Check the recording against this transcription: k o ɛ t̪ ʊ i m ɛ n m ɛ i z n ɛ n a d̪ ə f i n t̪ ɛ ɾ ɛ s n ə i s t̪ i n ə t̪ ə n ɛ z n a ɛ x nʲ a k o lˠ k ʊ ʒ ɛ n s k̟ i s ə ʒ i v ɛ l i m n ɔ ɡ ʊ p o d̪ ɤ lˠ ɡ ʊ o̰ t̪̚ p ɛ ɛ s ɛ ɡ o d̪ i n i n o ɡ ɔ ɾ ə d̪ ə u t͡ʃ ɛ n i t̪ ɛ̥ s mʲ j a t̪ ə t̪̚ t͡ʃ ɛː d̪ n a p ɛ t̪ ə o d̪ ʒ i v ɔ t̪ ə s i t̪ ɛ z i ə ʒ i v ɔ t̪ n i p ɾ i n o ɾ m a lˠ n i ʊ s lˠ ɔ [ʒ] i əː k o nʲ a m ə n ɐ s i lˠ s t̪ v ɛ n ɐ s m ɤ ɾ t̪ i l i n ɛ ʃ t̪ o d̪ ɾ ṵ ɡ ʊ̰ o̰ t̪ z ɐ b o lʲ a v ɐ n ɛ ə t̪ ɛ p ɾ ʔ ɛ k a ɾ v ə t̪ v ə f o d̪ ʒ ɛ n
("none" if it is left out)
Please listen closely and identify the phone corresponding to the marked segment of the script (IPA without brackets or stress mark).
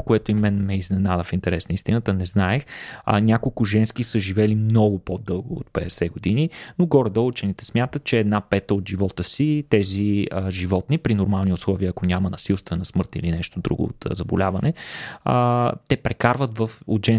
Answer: v